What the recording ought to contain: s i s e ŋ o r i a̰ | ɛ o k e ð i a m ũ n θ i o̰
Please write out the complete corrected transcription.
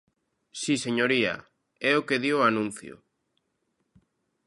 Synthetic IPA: s i s e ɲ o ɾ i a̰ | ɛ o k e ð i a n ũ n θ j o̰